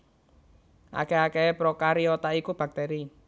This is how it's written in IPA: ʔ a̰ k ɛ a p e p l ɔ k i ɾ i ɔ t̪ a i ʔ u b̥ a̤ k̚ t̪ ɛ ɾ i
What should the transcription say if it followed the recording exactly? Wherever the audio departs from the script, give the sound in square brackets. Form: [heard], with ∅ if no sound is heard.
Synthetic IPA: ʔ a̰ k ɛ a [k] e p [ɾ] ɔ k [a] ɾ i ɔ t̪ a i [k] u b̥ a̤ k̚ t̪ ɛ ɾ i